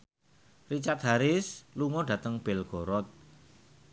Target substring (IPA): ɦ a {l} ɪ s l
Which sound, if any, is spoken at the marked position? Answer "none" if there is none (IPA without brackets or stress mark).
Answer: ɾ